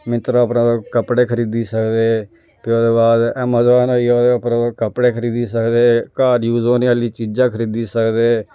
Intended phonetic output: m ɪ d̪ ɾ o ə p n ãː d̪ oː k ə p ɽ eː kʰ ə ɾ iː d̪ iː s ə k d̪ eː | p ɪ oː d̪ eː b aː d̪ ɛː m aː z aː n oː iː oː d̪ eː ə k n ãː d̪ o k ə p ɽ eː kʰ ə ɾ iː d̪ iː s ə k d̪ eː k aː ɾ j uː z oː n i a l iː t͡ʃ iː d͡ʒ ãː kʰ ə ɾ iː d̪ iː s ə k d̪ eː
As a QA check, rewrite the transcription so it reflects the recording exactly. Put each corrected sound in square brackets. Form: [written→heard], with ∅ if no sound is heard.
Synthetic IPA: m ɪ [d̪→t̪] ɾ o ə p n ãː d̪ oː k ə p ɽ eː kʰ ə ɾ iː d̪ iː s ə k d̪ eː | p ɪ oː d̪ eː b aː d̪ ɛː m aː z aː n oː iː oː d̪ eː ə [k→p] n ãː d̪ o k ə p ɽ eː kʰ ə ɾ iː d̪ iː s ə k d̪ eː k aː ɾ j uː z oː n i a l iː t͡ʃ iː d͡ʒ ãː kʰ ə ɾ iː d̪ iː s ə k d̪ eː